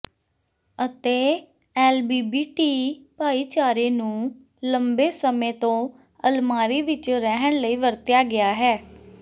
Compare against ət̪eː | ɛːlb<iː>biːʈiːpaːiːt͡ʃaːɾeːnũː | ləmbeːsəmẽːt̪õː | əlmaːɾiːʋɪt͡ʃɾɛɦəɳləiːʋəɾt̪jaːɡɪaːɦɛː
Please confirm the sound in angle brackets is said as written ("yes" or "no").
yes